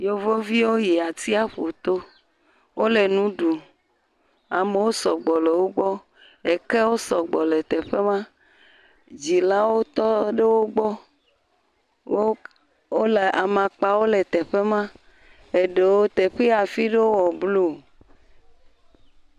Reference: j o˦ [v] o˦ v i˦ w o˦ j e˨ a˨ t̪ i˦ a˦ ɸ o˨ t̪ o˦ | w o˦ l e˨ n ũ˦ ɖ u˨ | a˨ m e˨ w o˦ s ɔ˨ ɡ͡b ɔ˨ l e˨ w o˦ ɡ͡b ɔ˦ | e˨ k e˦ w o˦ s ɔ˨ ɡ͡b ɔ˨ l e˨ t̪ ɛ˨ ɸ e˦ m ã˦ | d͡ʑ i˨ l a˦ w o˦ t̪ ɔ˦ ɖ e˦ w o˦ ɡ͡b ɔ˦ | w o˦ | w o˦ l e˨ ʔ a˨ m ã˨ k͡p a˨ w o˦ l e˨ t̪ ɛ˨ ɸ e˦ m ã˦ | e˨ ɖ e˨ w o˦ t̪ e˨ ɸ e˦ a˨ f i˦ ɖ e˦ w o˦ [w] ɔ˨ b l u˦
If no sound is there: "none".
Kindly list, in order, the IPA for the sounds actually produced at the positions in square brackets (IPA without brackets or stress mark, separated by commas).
v, w